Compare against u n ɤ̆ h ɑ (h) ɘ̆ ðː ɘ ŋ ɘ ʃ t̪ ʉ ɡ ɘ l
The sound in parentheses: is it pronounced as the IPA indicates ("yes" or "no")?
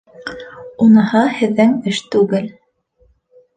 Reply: yes